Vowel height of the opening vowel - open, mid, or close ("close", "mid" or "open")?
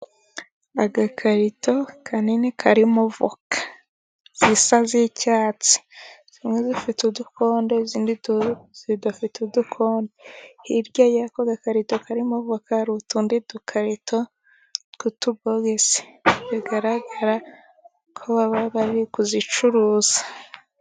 open